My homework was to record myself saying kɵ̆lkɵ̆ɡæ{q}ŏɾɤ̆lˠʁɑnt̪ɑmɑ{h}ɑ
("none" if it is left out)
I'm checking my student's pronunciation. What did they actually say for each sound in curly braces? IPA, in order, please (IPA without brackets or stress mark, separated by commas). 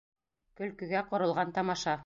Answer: q, ʃ